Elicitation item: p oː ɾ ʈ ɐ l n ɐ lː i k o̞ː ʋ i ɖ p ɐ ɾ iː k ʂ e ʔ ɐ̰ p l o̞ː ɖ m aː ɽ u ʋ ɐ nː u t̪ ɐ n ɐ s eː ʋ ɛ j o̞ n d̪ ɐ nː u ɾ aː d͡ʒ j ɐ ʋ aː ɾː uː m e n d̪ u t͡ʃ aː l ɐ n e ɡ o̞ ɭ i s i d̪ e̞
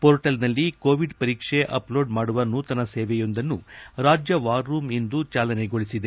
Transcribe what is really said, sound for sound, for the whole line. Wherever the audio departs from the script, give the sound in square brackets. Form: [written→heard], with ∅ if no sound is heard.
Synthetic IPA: p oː ɾ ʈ ɐ l n ɐ lː i k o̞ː ʋ i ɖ p ɐ ɾ iː k ʂ e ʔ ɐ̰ p l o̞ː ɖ m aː ɽ u ʋ ɐ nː u t̪ ɐ n ɐ s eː ʋ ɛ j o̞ n d̪ ɐ nː u ɾ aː d͡ʒ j ɐ ʋ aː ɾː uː m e n d̪ u t͡ʃ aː l ɐ n e ɡ o̞ ɭ i s i d̪ e̞